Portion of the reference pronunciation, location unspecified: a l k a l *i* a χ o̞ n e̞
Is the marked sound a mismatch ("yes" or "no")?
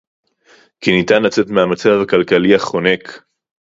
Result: no